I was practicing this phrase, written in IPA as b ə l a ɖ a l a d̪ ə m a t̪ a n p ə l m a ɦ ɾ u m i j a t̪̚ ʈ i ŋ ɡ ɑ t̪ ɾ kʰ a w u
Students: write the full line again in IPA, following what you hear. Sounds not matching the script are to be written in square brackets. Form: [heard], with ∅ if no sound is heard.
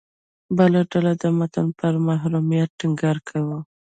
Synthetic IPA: b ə l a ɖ a l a d̪ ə m a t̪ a n p ə [ɾ] m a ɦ ɾ u m i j a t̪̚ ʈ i ŋ ɡ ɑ [∅] ɾ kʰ a w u